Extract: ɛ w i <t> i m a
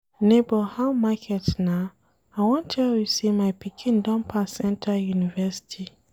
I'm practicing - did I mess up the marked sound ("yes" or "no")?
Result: yes